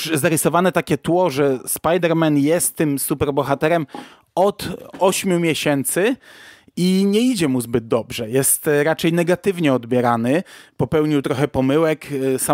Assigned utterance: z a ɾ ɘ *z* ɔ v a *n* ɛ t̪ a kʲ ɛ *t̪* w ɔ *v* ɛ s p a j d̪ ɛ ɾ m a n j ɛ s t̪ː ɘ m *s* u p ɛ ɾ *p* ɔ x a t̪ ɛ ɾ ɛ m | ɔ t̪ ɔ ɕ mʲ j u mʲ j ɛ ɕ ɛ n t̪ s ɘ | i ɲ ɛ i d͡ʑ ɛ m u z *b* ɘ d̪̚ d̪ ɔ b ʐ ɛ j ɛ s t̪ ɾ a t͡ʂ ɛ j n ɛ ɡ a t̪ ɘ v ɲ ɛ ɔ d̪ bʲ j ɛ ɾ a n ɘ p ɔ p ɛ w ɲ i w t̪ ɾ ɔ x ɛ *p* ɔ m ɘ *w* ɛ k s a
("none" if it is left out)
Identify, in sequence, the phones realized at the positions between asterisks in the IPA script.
s, n, t̪, ʐ, s, b, b, p, w

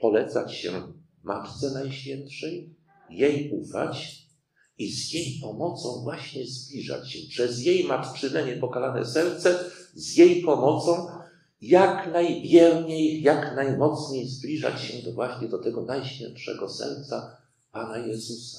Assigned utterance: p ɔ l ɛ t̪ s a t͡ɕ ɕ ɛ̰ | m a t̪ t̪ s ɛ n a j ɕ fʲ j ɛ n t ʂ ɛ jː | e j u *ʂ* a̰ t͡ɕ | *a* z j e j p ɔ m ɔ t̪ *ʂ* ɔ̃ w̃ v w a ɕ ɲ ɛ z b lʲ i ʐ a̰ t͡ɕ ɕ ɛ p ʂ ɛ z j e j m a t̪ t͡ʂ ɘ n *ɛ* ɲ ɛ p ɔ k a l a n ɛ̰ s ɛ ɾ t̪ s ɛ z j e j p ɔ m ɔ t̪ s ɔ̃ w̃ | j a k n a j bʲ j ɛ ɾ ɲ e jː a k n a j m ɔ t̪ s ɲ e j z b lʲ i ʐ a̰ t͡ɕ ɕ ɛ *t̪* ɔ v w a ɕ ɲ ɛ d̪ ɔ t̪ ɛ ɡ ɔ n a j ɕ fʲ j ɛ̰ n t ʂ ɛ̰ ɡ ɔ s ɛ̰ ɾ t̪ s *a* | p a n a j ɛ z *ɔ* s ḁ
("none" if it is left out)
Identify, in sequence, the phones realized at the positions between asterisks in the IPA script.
f, i, s, ɛ, d̪, a, u

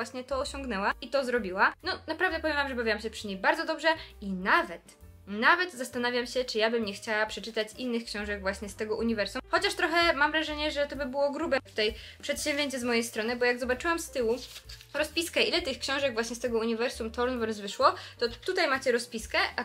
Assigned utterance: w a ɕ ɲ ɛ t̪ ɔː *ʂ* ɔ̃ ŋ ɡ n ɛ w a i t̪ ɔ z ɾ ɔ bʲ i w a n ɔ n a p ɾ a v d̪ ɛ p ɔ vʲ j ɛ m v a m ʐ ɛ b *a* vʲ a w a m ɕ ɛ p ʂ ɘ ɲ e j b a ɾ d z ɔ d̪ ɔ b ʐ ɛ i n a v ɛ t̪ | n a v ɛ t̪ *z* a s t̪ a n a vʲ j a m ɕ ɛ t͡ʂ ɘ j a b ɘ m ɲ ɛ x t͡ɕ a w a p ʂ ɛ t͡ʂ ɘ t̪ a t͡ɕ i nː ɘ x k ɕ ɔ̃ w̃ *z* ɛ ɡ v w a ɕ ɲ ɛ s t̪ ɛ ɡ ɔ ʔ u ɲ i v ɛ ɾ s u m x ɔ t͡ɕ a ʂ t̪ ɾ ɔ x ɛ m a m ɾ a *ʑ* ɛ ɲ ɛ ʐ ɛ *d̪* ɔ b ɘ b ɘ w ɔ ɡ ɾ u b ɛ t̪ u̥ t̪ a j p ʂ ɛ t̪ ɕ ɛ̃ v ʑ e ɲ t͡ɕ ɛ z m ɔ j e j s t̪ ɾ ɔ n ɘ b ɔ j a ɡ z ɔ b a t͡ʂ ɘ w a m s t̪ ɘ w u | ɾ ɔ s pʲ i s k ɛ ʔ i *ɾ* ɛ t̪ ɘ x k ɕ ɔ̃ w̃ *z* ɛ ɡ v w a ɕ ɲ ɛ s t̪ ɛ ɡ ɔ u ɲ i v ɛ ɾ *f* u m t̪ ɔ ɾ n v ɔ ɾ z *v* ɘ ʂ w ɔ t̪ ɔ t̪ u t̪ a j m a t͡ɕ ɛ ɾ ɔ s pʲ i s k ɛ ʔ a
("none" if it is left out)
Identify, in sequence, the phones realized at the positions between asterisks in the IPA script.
ɕ, a, z, ʐ, ʐ, t̪, l, ʐ, s, v

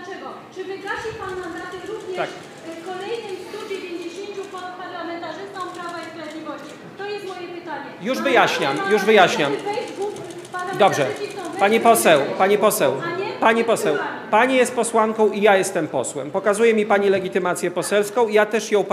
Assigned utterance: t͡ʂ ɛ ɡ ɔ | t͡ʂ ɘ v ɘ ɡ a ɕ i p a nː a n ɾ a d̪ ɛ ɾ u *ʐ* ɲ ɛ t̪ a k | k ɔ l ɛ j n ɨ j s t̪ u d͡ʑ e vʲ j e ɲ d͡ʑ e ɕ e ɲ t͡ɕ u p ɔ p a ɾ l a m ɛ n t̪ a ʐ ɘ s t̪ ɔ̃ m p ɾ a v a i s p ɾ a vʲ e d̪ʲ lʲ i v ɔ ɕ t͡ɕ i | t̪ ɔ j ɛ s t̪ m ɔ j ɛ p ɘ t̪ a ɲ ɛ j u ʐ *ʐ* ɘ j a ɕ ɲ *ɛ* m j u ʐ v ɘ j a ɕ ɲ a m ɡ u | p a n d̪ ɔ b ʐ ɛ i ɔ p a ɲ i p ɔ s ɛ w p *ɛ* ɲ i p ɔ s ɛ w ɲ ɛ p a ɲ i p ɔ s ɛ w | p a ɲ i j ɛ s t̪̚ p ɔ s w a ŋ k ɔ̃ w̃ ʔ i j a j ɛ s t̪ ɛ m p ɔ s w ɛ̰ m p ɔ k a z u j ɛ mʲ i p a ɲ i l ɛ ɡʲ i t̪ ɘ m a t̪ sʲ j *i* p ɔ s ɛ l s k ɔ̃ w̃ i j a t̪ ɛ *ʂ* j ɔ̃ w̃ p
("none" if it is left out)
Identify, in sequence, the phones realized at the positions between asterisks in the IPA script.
v, v, a, a, ɛ, ʂ

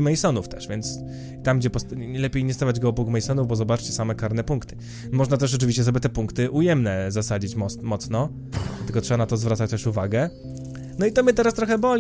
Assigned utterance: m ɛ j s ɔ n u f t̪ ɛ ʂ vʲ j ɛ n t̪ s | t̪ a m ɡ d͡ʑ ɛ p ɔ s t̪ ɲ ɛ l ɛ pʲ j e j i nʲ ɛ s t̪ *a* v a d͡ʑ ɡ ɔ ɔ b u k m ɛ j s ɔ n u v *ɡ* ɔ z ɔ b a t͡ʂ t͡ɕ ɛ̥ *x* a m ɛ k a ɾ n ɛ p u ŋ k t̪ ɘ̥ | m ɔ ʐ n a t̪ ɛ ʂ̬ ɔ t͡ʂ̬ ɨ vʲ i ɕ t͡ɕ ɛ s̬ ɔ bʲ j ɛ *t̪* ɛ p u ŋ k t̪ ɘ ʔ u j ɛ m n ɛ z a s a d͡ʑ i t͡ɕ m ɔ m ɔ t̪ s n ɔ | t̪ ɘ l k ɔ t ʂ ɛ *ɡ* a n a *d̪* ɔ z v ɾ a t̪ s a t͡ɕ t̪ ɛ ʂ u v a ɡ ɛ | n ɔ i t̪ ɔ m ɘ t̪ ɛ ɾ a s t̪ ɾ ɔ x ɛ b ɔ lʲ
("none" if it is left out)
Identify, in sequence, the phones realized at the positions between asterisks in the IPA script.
a, b, s, t̪, b, t̪

